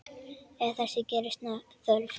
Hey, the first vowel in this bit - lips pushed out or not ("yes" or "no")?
no